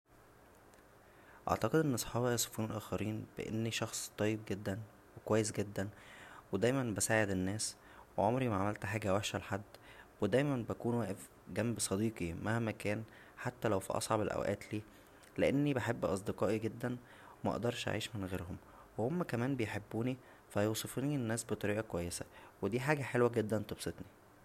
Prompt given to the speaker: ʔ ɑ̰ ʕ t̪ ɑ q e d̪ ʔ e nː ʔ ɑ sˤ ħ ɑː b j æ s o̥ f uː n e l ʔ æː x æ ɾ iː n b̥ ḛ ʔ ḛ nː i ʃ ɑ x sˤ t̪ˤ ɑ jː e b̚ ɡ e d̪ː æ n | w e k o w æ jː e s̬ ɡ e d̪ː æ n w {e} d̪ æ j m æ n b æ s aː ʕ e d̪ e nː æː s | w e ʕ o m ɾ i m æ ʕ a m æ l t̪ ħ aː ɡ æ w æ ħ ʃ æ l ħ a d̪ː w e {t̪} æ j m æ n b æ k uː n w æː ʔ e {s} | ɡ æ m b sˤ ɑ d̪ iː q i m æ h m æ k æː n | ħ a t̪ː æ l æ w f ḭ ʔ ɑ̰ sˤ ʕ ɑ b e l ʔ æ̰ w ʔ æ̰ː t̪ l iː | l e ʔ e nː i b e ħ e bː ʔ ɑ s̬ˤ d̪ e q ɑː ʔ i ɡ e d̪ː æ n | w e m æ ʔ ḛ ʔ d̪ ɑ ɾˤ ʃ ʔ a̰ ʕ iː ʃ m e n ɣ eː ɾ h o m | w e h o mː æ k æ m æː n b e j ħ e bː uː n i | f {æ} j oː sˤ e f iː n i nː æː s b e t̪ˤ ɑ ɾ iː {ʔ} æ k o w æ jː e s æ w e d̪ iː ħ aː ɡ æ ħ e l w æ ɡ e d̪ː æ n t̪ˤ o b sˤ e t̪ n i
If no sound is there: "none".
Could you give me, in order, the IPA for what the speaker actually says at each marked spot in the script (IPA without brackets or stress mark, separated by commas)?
e, d̪, f, æ, ʔ